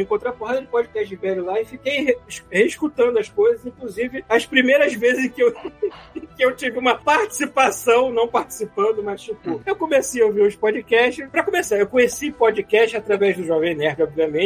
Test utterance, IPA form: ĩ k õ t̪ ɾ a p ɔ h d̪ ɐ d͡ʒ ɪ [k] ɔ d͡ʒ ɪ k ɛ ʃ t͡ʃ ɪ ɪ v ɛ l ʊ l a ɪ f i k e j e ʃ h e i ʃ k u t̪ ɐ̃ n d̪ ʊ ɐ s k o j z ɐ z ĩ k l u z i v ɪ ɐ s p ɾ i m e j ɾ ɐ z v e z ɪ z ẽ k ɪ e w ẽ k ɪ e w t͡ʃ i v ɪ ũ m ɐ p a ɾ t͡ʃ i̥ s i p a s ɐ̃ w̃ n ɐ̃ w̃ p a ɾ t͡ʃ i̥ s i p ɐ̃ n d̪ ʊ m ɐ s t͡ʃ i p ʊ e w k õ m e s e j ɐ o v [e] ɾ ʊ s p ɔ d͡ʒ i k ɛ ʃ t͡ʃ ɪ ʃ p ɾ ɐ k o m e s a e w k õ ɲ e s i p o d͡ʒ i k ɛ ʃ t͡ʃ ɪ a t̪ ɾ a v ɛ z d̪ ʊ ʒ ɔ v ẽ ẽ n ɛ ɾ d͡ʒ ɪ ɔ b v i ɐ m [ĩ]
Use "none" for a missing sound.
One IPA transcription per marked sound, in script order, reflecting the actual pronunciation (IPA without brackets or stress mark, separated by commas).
p, i, ẽ